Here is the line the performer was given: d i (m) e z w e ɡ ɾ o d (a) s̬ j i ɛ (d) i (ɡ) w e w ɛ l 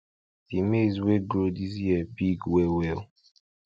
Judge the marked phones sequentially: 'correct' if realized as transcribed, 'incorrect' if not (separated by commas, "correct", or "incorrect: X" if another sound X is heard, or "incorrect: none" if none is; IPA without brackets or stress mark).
correct, incorrect: i, incorrect: b, correct